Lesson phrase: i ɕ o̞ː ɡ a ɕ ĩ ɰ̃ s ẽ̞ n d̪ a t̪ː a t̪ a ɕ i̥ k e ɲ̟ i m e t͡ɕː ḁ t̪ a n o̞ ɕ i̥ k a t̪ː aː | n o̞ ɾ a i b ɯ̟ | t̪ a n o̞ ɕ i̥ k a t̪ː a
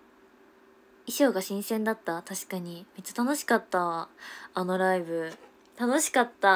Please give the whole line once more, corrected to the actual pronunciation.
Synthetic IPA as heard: i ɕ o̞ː ɡ a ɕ ĩ ɰ̃ s ẽ̞ n d̪ a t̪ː a t̪ a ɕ i̥ k a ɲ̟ i m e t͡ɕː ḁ t̪ a n o̞ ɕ i̥ k a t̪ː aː | n o̞ ɾ a i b ɯ̟ | t̪ a n o̞ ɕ i̥ k a t̪ː a

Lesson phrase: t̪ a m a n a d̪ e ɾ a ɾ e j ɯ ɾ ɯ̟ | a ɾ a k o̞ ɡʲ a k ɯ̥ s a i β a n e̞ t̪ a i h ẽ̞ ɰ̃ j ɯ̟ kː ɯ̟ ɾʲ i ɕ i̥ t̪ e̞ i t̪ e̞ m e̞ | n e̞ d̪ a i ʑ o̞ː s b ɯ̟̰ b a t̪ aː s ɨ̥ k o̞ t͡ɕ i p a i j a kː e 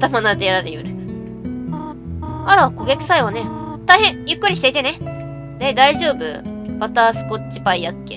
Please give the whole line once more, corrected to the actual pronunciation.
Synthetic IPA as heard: t̪ a m a n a d̪ e ɾ a ɾ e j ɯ ɾ ɯ̟ | a ɾ a k o̞ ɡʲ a k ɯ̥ s a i β a n e̞ t̪ a i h ẽ̞ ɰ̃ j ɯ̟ kː ɯ̟ ɾʲ i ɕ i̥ t̪ e̞ i t̪ e̞ n e̞ | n e̞ d̪ a i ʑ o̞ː b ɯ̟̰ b a t̪ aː s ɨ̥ k o̞ t͡ɕ i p a i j a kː e

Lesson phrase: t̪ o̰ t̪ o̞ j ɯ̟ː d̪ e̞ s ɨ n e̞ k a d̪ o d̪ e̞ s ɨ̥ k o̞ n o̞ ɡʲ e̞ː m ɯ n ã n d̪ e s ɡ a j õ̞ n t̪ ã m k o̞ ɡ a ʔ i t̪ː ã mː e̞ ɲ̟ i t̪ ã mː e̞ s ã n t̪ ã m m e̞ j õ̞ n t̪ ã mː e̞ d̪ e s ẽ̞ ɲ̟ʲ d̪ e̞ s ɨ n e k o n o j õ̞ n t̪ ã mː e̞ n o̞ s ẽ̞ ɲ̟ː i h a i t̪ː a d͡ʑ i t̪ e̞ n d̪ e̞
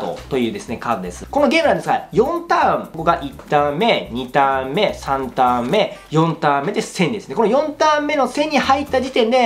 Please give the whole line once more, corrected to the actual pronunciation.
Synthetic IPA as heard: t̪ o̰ t̪ o̞ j ɯ̟ː d̪ e̞ s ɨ n e̞ k a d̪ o d̪ e̞ s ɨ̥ k o̞ n o̞ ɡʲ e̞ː m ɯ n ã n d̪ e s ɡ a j õ̞ n t̪ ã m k o̞ ɡ a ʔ i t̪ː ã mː e̞ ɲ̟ i t̪ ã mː e̞ s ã n t̪ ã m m e̞ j õ̞ n t̪ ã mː e̞ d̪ e s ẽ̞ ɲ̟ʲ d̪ e̞ s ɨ n e k o n o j õ̞ n t̪ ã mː e̞ n o̞ s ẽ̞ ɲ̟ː i h a i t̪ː a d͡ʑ i t̪ ẽ̞ n d̪ e̞

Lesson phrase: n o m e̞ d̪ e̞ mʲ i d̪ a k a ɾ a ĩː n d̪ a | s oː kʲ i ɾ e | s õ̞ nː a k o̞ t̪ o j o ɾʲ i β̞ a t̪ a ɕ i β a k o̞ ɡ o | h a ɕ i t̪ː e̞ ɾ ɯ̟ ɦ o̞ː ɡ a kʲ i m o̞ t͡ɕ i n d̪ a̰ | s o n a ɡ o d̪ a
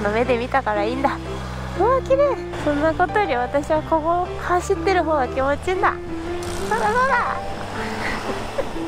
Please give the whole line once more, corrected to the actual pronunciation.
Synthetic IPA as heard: n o m e̞ d̪ e̞ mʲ i t̪ a k a ɾ a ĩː n d̪ a | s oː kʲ i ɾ e | s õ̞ nː a k o̞ t̪ o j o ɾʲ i β̞ a t̪ a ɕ i β a k o̞ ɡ o | h a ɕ i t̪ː e̞ ɾ ɯ̟ ɦ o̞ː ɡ a kʲ i m o̞ t͡ɕ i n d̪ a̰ | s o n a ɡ o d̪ a

